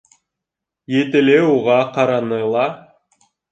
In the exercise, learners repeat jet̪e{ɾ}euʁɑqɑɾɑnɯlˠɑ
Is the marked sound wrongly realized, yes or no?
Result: yes